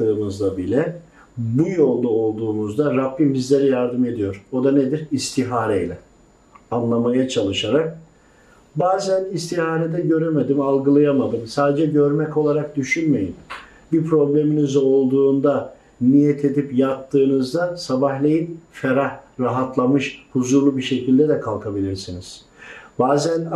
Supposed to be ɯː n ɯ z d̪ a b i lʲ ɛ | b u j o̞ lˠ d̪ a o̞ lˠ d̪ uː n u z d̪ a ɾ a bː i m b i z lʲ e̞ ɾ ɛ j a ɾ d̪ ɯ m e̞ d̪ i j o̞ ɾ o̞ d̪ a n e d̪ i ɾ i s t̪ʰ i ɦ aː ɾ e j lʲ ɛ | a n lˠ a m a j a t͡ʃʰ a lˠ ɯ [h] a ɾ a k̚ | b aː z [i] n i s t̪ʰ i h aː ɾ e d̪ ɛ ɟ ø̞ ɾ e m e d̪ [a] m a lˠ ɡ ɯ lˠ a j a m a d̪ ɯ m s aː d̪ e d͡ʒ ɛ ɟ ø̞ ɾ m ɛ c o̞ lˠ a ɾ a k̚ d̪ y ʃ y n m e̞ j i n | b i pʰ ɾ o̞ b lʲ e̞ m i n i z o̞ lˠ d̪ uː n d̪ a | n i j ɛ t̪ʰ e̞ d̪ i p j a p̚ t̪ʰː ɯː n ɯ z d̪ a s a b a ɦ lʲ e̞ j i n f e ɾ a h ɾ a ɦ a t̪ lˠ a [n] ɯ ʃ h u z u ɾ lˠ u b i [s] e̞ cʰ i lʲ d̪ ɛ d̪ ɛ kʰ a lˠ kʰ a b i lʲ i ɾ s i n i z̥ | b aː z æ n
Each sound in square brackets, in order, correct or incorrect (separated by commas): incorrect, incorrect, incorrect, incorrect, incorrect